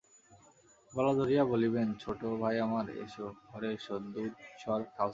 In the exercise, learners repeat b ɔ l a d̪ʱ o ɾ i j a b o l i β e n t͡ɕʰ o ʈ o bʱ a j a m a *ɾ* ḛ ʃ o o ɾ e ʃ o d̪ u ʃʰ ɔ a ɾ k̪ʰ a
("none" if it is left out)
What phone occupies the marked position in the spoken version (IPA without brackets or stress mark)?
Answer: ɾ